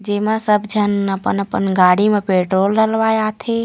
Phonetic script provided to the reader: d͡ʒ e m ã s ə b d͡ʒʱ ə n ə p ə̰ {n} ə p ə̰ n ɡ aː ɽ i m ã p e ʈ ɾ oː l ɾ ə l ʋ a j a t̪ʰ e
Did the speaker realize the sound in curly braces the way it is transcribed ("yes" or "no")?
yes